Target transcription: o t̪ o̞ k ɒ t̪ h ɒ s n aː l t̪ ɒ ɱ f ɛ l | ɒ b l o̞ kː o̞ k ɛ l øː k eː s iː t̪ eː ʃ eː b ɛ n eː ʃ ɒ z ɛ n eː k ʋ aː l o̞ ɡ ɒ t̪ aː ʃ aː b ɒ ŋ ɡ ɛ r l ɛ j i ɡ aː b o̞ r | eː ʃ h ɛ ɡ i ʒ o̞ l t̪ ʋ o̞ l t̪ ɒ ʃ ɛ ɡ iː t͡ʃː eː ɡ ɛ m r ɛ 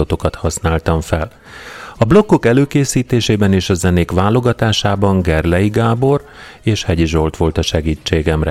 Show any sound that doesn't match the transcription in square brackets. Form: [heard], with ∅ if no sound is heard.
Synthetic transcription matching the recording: o t̪ o̞ k ɒ t̪ h ɒ s n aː l t̪ ɒ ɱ f ɛ l | ɒ b l o̞ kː o̞ k ɛ l øː k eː s iː t̪ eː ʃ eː b ɛ n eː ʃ ɒ z ɛ n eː k ʋ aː l o̞ ɡ ɒ t̪ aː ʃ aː b ɒ ŋ ɡ ɛ r l ɛ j i ɡ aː b o̞ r | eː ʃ h ɛ [ɟ] i ʒ o̞ l t̪ ʋ o̞ l t̪ ɒ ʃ ɛ ɡ iː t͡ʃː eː ɡ ɛ m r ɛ